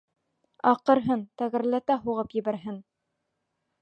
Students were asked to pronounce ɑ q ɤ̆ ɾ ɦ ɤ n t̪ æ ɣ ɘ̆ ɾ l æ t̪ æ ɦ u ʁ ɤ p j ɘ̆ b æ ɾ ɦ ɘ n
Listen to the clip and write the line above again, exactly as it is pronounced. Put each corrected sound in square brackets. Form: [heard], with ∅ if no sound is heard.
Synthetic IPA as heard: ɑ q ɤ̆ ɾ ɦ ɤ n t̪ æ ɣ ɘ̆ ɾ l æ t̪ æ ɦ u ʁ ɤ p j ɘ̆ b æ ɾ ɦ ɘ n